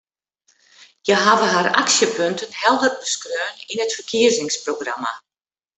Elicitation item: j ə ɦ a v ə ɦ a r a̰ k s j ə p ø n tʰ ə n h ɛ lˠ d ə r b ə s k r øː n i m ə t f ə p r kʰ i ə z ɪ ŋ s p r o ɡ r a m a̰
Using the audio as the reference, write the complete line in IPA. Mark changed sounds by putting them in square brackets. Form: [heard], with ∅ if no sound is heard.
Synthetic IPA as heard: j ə ɦ a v ə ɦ a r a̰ k s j ə p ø n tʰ ə n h ɛ lˠ d ə r b ə s k r øː n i [n] ə t f ə [∅] r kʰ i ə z ɪ ŋ s p r o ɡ r a m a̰